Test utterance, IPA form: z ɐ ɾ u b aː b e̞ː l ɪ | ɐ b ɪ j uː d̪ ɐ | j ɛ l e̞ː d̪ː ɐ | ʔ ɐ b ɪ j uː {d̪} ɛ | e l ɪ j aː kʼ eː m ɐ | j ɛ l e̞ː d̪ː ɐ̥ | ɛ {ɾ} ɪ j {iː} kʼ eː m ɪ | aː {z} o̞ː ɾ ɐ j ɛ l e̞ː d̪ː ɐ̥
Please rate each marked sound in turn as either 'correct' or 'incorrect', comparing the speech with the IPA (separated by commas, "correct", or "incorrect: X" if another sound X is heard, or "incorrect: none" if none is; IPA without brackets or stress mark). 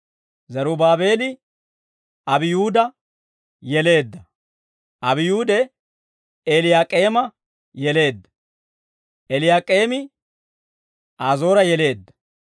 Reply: correct, incorrect: l, incorrect: aː, correct